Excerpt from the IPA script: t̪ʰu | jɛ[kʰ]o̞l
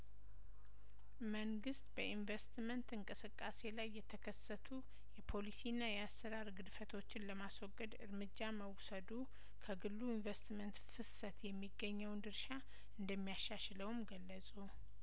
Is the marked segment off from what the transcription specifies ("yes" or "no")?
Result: yes